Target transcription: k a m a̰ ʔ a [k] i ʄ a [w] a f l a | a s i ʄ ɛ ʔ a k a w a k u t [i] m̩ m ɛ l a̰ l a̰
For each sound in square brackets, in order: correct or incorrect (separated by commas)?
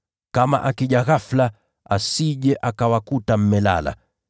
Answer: correct, incorrect, incorrect